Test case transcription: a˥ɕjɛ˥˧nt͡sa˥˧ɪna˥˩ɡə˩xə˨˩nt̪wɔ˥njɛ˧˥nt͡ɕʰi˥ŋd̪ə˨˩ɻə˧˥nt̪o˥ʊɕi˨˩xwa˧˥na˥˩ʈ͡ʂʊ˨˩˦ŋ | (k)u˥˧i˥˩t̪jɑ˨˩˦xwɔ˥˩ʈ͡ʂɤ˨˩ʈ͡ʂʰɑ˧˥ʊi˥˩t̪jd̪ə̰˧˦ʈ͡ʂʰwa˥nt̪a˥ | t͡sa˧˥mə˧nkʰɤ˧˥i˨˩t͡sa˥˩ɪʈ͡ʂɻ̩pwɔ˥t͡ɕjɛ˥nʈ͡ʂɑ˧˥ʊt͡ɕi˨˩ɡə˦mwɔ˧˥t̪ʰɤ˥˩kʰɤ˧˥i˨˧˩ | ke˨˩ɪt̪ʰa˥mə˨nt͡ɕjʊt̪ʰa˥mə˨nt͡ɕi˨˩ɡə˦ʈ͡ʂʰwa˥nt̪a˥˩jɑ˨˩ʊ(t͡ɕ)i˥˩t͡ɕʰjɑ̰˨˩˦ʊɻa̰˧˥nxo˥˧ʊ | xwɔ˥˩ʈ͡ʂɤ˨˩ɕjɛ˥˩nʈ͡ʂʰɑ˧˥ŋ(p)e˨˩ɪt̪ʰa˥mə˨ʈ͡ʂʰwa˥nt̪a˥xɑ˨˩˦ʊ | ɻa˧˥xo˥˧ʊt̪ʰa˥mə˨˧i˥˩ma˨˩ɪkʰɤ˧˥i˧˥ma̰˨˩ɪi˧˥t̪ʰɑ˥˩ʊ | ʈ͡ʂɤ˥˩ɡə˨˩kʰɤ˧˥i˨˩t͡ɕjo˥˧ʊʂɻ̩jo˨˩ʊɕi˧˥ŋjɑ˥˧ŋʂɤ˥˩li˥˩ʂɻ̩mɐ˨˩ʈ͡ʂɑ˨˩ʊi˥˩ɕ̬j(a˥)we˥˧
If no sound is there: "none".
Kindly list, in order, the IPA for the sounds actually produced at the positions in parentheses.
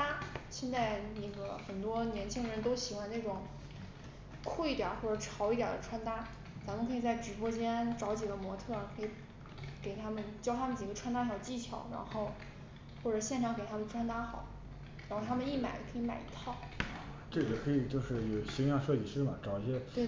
kʰ, t͡ɕ, k, ɛ˥

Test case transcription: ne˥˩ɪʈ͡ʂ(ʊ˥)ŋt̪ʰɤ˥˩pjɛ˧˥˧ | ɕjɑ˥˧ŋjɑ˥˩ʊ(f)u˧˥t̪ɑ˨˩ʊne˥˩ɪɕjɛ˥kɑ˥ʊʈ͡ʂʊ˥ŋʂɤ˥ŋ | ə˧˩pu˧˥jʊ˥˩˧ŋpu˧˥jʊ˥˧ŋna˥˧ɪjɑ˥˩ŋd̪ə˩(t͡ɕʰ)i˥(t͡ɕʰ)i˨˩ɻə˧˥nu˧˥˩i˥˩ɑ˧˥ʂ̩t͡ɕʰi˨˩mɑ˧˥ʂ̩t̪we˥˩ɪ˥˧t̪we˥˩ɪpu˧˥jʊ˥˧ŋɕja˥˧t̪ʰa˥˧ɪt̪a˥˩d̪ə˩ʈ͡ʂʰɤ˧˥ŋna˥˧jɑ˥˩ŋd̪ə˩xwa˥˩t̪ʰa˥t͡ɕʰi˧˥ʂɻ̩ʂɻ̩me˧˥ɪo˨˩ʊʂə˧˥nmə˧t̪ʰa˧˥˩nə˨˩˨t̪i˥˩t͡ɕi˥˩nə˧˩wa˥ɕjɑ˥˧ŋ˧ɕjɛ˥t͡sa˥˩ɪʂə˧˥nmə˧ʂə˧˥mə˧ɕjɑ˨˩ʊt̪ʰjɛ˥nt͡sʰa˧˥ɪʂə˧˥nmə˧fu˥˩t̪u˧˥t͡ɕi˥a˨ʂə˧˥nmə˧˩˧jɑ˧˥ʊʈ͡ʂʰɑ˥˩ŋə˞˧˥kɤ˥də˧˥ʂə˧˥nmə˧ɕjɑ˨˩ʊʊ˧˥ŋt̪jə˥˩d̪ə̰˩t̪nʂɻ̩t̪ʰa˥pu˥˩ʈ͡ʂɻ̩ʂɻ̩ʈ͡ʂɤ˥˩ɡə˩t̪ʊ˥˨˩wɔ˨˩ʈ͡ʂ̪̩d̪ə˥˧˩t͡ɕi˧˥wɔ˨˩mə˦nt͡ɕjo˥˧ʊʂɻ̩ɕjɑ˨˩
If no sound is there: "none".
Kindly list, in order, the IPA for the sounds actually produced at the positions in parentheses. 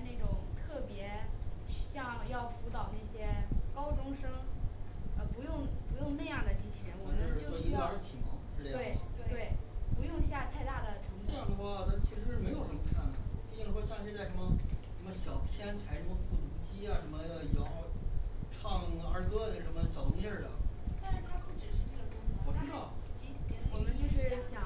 ʊ˨˩, f, t͡ɕ, t͡ɕʰ

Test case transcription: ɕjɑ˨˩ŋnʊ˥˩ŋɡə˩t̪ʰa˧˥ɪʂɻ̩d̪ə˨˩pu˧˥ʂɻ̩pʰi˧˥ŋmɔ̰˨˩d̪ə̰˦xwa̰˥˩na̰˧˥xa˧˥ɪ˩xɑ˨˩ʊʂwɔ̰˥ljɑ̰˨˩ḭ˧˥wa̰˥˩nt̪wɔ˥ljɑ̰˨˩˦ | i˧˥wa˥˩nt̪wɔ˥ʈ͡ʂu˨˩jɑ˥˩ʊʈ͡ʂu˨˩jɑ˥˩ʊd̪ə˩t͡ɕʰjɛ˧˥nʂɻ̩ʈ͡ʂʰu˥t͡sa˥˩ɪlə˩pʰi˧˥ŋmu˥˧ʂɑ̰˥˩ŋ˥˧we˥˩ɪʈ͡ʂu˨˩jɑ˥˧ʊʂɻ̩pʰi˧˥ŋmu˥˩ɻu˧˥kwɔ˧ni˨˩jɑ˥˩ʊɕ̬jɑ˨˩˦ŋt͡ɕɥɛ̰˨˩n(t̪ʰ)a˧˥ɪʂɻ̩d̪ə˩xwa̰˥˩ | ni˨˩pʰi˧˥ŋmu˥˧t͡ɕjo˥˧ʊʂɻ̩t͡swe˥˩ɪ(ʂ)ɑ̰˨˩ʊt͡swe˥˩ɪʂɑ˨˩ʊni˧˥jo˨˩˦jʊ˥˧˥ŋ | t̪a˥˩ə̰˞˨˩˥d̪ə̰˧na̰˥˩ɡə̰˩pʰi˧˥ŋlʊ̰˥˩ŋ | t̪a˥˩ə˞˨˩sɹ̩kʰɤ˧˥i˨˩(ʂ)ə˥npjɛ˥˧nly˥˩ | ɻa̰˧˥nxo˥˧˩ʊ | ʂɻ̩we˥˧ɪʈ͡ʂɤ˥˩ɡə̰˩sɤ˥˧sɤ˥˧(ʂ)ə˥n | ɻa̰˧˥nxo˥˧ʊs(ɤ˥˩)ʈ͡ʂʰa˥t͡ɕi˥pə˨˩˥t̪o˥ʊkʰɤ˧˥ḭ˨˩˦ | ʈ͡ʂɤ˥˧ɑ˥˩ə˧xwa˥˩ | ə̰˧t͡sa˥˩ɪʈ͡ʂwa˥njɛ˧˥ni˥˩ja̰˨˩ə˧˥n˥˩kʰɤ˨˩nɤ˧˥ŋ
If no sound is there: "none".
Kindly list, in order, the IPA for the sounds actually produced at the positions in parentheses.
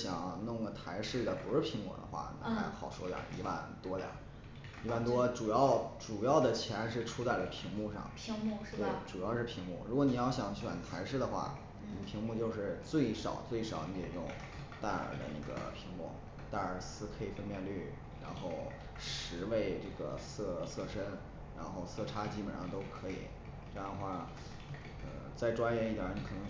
t̪ʰ, ʂ, f, ʂ, ɤ˥˩

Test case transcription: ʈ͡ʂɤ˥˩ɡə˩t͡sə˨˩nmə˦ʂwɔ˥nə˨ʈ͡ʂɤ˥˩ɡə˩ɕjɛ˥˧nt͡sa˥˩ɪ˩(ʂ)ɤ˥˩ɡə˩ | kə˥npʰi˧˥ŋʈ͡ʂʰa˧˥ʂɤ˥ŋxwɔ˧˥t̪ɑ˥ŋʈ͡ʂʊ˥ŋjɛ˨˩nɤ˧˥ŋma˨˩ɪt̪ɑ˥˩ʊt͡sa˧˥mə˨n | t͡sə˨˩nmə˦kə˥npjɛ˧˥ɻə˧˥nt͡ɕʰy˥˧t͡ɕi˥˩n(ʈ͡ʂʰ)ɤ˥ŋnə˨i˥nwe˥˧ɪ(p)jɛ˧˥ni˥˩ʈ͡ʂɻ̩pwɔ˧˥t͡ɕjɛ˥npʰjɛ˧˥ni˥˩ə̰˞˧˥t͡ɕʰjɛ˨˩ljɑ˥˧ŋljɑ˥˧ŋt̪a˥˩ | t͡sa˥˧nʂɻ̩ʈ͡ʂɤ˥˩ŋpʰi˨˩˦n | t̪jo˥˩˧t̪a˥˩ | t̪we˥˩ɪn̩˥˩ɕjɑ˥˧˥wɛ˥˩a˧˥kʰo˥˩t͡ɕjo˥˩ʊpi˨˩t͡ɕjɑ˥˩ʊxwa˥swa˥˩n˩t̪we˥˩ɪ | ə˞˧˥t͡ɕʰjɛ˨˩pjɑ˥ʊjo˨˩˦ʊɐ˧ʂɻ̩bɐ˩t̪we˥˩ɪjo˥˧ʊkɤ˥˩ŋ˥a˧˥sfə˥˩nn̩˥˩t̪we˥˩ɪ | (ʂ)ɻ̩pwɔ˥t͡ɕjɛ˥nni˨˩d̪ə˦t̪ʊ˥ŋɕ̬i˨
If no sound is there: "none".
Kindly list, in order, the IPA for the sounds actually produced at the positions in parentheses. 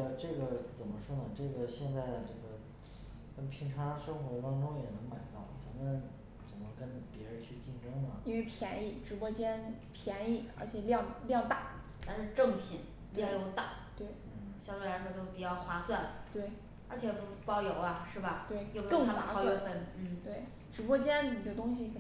ʈ͡ʂ, ʈ͡ʂ, pʰ, ʈ͡ʂ

